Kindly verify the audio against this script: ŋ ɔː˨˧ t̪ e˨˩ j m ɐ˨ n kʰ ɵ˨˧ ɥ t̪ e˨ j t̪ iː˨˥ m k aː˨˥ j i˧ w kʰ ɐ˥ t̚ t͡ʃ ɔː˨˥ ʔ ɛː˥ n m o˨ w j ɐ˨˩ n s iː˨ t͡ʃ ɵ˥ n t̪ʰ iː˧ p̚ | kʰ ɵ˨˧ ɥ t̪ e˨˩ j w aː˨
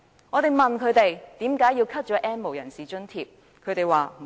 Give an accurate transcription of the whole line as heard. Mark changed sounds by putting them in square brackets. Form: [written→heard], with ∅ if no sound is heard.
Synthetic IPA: ŋ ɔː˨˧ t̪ e˨˩ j m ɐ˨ n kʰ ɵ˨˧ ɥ t̪ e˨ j t̪ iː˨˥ m k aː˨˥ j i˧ w kʰ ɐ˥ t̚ t͡ʃ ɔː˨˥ ʔ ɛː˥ n m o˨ w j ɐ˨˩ n s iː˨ t͡ʃ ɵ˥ n t̪ʰ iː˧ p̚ | kʰ ɵ˨˧ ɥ t̪ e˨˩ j w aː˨